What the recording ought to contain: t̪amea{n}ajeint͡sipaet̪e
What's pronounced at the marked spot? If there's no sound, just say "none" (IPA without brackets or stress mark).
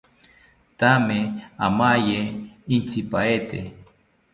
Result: m